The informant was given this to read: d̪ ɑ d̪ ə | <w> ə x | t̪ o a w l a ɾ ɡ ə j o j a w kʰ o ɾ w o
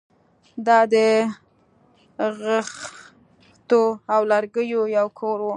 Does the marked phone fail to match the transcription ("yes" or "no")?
yes